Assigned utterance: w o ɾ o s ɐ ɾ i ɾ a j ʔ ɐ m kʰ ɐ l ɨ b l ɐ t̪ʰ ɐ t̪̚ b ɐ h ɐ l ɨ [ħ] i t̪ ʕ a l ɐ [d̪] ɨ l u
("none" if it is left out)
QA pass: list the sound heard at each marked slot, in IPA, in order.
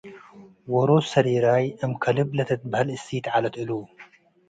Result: s, t̪

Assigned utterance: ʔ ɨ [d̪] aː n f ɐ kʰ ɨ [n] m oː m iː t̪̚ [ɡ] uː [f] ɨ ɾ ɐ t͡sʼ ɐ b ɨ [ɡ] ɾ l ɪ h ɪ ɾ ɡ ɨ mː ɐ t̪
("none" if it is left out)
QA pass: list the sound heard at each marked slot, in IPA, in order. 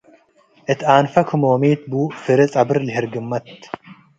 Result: t̪, none, b, f, none

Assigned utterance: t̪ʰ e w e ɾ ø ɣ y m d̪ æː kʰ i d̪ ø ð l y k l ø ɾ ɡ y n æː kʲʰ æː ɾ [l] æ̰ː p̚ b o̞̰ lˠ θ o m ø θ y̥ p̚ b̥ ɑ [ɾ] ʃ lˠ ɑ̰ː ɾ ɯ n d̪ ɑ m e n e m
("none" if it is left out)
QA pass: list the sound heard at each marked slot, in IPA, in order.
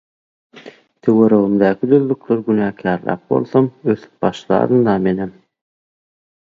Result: l, none

